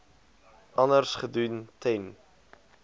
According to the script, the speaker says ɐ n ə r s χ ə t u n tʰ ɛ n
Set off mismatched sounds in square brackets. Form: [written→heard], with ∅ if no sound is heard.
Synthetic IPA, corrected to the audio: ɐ n ə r s χ ə [t→d] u n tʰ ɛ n